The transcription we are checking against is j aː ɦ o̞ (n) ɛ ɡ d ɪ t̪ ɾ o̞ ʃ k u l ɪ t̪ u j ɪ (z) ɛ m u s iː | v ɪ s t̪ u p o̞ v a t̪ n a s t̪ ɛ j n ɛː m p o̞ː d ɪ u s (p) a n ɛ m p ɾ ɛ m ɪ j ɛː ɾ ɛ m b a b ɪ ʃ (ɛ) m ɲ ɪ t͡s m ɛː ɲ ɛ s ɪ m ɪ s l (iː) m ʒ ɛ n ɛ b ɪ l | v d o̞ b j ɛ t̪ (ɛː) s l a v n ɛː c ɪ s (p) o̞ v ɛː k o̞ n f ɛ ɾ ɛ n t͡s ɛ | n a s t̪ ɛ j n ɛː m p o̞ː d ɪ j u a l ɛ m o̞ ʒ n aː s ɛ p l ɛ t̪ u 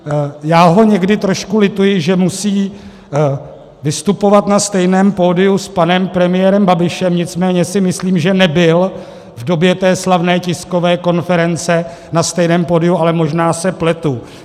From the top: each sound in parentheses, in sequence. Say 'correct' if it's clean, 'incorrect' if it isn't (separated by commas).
incorrect, incorrect, correct, correct, correct, correct, incorrect